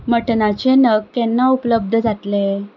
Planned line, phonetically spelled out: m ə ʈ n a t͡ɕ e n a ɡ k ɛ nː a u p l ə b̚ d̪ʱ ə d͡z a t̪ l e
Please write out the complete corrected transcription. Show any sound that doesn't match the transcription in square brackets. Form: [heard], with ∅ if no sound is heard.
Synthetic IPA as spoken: m ə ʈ n a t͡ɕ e n [ə] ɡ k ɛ nː a u p l ə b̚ d̪ʱ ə d͡z a t̪ l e